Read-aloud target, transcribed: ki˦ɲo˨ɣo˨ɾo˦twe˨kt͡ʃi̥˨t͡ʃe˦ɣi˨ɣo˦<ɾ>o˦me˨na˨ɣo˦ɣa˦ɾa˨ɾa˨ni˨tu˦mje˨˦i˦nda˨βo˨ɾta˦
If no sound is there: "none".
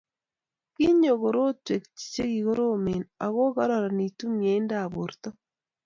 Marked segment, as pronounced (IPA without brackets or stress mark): ɾ